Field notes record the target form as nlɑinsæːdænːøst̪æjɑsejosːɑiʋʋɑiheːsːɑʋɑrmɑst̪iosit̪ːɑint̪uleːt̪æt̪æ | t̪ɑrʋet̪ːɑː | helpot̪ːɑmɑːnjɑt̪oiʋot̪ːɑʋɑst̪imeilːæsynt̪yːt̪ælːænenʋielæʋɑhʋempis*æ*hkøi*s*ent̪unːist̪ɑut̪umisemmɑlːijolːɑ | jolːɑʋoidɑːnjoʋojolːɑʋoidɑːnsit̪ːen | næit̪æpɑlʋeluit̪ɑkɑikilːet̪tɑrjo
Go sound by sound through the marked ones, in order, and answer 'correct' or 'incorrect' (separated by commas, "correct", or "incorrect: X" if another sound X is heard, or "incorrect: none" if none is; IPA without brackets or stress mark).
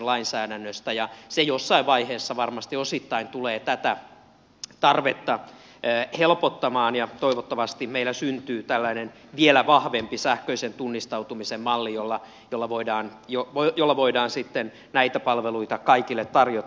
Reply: correct, correct